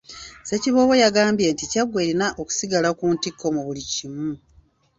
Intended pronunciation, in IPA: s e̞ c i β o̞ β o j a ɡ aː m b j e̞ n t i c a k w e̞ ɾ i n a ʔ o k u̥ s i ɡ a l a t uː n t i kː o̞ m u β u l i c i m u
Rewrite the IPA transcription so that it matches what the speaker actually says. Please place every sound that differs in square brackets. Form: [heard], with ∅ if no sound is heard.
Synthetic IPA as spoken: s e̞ c i β o̞ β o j a ɡ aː m b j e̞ n t i c a [ɡ] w e̞ ɾ i n a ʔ o k u̥ s i ɡ a l a [k] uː n t i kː o̞ m u β u l i c i m u